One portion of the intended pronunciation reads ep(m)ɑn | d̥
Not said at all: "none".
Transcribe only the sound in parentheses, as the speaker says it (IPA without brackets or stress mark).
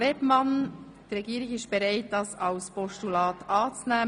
m